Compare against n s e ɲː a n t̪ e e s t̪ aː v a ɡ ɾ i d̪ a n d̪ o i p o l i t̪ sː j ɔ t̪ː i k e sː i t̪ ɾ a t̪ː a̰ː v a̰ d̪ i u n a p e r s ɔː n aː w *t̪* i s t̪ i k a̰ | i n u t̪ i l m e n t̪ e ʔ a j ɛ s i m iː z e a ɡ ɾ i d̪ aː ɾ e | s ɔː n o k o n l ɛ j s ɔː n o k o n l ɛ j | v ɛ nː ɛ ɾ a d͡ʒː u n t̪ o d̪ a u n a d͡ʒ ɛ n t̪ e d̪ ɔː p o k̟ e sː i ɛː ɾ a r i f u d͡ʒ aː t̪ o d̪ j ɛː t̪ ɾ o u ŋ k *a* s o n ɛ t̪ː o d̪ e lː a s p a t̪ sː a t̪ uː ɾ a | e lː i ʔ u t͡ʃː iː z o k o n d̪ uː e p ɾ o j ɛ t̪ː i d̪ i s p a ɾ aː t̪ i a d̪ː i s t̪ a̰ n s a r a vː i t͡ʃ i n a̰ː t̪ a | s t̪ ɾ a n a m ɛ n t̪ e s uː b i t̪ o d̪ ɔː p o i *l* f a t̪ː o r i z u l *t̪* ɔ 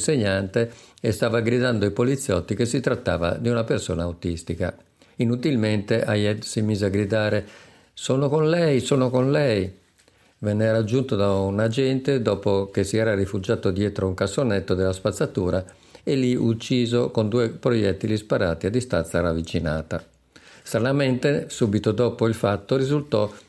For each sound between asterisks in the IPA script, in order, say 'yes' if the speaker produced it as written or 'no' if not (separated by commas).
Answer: yes, yes, yes, yes